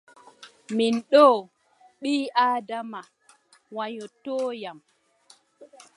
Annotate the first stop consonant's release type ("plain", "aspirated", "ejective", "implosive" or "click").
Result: implosive